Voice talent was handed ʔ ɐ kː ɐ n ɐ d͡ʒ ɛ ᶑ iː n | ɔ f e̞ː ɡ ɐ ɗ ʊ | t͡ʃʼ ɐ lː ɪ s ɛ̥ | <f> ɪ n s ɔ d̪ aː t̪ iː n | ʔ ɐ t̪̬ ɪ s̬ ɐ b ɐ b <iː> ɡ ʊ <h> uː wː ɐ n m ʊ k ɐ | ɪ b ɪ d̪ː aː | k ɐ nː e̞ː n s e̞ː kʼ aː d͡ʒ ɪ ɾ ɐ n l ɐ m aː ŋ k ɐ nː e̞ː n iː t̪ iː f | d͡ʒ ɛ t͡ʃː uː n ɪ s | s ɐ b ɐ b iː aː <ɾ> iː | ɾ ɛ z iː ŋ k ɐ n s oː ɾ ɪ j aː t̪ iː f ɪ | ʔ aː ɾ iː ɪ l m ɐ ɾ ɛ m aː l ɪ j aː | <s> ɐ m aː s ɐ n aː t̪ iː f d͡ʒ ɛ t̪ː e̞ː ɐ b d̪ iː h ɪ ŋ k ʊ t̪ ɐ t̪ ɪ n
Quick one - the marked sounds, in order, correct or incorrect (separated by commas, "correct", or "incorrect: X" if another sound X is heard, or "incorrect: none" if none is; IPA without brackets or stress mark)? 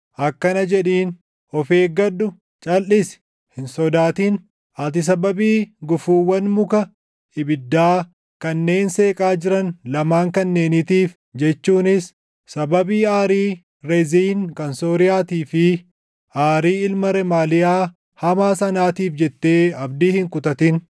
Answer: incorrect: h, correct, incorrect: f, correct, incorrect: h